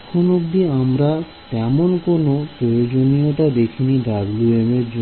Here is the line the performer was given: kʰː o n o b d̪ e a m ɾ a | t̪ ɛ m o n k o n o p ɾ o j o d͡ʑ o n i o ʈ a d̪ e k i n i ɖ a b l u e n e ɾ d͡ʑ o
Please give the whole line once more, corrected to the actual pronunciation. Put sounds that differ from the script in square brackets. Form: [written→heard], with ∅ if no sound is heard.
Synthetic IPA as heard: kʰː o n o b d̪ [e→i] a m ɾ a | t̪ ɛ m o n k o n o p ɾ o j o d͡ʑ o n i o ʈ a d̪ e [k→kʰ] i n i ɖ a b l u e [n→m] e ɾ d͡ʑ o